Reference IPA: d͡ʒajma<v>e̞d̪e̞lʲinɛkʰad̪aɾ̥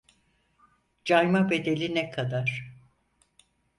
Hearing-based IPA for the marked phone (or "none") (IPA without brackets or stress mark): b